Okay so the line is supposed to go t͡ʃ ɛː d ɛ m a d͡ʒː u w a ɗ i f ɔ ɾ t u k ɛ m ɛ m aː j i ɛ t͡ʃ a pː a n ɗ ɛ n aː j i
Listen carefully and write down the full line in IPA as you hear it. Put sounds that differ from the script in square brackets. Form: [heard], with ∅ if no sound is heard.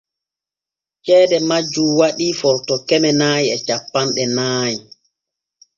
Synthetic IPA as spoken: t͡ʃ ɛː d ɛ m a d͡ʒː u w a ɗ i f ɔ ɾ t [ɔ] k ɛ m ɛ [n] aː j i ɛ t͡ʃ a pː a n ɗ ɛ n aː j i